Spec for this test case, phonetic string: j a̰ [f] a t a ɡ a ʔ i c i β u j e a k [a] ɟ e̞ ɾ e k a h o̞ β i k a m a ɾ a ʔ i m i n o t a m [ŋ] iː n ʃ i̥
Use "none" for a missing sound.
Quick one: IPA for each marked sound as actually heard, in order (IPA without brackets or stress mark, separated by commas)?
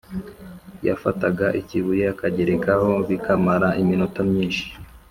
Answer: f, a, ɲ